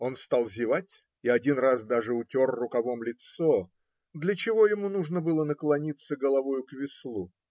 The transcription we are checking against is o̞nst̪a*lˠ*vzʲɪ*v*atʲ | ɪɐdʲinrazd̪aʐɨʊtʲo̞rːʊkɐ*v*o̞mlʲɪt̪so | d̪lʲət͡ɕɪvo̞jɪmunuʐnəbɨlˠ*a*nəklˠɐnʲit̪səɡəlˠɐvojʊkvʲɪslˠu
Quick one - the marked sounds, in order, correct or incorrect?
correct, correct, correct, incorrect: ə

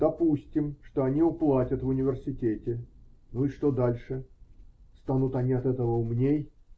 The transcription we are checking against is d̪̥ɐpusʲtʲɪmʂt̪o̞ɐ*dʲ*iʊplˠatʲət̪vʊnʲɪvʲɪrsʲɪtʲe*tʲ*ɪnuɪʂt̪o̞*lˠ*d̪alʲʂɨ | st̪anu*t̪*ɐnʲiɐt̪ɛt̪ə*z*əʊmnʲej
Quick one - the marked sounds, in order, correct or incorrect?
incorrect: nʲ, correct, incorrect: none, correct, incorrect: v

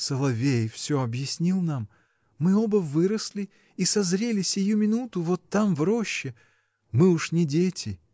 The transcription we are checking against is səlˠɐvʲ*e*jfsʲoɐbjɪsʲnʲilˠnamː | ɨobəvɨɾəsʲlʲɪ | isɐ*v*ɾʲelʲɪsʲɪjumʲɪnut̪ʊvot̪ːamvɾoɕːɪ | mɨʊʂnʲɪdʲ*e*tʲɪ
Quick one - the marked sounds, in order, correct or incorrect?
correct, incorrect: z, correct

